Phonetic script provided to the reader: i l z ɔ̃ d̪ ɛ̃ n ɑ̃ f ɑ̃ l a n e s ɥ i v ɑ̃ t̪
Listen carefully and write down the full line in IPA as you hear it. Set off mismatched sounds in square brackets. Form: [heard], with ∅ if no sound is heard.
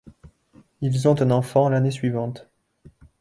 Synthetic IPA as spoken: i l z ɔ̃ [t̪] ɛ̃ n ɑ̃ f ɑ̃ l a n e s ɥ i v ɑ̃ t̪